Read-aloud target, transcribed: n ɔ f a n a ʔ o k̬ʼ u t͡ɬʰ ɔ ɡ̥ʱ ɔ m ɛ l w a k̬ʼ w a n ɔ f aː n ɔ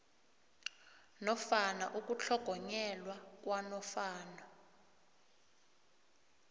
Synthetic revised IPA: n ɔ f a n a ʔ u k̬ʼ u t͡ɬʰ ɔ ɡ̥ʱ ɔ ɲ ɛ l w a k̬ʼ w a n ɔ f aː n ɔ